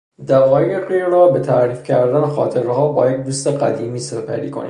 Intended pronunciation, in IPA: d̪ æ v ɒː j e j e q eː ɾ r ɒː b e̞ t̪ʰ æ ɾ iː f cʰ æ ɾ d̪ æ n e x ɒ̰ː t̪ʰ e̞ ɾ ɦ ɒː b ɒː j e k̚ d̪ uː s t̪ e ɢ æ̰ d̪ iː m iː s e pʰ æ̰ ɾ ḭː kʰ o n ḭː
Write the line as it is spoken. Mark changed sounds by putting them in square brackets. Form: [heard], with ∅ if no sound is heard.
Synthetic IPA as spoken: d̪ æ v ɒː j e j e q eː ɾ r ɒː b e̞ t̪ʰ æ ɾ iː f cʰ æ ɾ d̪ æ n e x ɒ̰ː t̪ʰ e̞ ɾ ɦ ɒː b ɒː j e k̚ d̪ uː s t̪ e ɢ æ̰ d̪ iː m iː s e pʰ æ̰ ɾ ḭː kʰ o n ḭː